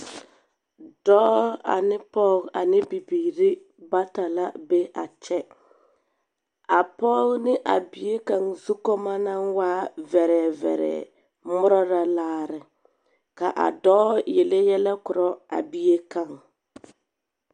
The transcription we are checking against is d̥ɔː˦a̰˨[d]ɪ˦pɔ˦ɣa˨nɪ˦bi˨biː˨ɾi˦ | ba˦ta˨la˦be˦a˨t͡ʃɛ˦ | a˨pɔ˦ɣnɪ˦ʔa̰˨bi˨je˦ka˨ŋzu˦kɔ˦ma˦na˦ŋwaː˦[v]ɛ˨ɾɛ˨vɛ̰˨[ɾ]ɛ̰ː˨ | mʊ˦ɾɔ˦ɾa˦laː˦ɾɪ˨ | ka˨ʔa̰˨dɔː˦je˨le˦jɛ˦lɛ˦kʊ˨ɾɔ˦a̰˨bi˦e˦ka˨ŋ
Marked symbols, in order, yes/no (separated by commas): no, yes, yes